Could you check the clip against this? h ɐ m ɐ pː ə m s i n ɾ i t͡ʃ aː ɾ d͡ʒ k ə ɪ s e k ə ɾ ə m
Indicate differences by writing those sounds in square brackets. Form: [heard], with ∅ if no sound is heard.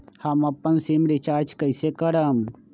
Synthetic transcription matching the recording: h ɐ m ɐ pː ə [n] s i [m] ɾ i t͡ʃ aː ɾ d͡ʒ k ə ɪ s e k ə ɾ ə m